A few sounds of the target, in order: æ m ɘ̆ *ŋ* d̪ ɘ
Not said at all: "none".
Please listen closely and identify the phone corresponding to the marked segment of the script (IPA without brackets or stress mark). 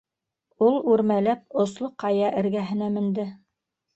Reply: n